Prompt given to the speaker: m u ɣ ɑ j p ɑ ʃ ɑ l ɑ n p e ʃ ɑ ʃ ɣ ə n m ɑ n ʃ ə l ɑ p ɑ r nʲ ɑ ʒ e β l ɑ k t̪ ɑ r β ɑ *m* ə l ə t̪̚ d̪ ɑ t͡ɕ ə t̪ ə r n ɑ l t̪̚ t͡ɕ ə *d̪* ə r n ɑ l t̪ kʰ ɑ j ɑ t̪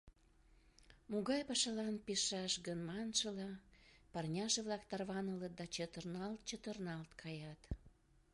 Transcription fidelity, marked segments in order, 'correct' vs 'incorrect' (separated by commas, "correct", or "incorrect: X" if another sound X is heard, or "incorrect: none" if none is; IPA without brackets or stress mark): incorrect: n, incorrect: t̪